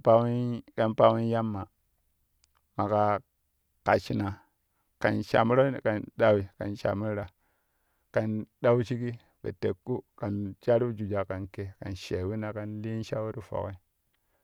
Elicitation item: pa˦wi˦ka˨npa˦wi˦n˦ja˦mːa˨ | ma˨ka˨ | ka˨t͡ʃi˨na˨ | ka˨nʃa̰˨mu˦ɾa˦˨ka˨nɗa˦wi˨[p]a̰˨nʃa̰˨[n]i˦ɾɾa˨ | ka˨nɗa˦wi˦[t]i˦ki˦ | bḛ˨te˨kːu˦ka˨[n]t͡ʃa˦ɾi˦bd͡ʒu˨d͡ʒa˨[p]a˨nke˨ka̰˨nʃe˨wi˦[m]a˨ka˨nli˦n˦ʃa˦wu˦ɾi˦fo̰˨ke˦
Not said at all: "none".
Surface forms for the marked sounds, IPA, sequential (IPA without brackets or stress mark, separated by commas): k, m, t͡ʃ, n, k, n